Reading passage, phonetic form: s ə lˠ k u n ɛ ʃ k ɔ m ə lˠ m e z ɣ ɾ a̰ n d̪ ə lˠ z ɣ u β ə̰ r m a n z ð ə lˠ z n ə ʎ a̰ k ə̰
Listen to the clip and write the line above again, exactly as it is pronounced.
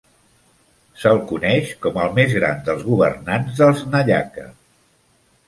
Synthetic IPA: s ə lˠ k u n ɛ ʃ k ɔ m ə lˠ m e z ɣ ɾ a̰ n d̪ ə lˠ z ɣ u β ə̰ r n a n z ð ə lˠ z n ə ʎ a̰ k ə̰